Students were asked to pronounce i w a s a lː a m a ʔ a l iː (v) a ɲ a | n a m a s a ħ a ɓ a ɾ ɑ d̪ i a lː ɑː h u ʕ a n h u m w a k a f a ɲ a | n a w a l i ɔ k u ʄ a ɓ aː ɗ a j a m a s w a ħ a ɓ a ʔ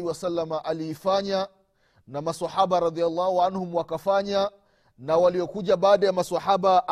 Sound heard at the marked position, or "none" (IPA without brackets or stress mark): f